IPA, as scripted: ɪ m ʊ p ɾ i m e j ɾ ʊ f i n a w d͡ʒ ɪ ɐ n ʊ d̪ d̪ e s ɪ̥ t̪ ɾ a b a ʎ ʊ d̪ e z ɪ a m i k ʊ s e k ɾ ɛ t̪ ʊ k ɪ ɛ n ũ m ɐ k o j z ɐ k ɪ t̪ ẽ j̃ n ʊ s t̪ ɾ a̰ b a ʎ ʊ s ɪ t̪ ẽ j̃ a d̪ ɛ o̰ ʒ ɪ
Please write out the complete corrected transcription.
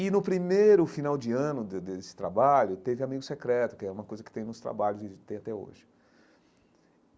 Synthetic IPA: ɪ n ʊ p ɾ i m e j ɾ ʊ f i n a w d͡ʒ ɪ ɐ̃ n ʊ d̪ d̪ e s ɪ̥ t̪ ɾ a b a ʎ ʊ t̪ e v ɪ a m i ɡ ʊ s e k ɾ ɛ t̪ ʊ k ɪ ɛ ũ m ɐ k o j z ɐ k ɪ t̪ ẽ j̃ n ʊ s t̪ ɾ a̰ b a ʎ ʊ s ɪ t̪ ẽ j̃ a t̪ ɛ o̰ ʒ ɪ